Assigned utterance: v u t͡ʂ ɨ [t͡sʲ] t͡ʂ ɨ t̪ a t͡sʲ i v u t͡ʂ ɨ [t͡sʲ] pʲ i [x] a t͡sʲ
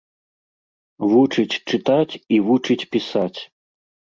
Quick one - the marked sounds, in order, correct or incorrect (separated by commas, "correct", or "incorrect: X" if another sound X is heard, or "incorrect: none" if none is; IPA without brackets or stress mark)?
correct, correct, incorrect: s